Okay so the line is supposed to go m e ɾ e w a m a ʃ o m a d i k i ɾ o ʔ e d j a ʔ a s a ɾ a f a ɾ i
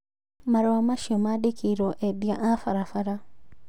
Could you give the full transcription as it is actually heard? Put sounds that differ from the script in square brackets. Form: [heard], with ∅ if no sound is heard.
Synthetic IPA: m [a] ɾ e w a m a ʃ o m a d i k i ɾ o ʔ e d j a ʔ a [f] a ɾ a f a ɾ [a]

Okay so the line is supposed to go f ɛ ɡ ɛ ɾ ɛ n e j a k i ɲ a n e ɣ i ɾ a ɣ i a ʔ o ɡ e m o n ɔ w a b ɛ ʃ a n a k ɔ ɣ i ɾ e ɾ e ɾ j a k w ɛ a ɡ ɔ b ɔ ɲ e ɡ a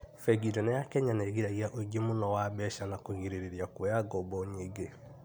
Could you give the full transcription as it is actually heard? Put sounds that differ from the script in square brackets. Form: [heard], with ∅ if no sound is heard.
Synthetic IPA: f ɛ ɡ [i] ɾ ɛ n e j a k [ɛ] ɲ a n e ɣ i ɾ a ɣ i a ʔ o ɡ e m o n ɔ w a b ɛ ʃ a n a k [o] ɣ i ɾ e ɾ e ɾ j a k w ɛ a ɡ ɔ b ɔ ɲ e ɡ [e]

